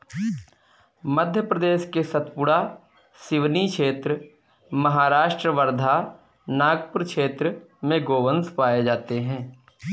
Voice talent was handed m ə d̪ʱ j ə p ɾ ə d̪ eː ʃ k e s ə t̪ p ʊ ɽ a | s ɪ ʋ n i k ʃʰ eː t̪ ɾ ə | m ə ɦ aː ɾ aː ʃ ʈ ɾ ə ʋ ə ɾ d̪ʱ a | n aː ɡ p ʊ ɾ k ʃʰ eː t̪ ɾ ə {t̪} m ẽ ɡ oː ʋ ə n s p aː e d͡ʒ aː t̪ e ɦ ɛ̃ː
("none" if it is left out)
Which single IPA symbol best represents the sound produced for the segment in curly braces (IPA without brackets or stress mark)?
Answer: none